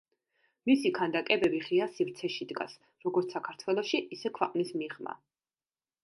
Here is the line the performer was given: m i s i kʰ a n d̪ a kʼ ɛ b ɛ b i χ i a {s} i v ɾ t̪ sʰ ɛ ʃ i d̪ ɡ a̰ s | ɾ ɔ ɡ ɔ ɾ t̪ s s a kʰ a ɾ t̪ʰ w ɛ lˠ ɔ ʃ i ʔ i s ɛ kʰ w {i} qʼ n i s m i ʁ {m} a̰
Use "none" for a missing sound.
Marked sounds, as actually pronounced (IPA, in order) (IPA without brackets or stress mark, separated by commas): s, ɛ, m